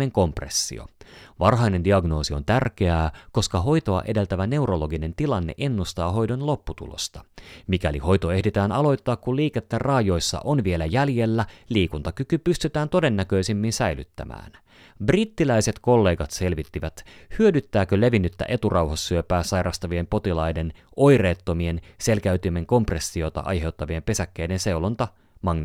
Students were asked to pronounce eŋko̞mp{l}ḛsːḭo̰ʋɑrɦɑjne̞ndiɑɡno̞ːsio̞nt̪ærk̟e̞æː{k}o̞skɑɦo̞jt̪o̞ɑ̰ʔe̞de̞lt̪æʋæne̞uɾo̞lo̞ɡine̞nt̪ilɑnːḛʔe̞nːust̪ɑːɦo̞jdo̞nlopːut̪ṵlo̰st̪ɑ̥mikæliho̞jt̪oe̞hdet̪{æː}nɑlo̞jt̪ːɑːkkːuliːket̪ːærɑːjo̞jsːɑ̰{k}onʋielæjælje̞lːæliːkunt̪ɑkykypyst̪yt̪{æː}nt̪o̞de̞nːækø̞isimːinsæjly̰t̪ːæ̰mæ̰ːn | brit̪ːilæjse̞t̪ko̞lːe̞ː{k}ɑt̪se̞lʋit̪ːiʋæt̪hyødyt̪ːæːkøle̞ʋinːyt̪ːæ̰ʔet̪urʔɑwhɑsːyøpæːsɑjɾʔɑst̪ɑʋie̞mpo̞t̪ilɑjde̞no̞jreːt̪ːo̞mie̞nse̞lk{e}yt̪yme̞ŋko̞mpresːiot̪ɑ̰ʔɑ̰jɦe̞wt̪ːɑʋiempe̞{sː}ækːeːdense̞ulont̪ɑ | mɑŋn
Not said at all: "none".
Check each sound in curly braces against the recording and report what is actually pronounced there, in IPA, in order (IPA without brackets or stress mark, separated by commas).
r, k, æː, ʔ, æː, ɡ, æ, s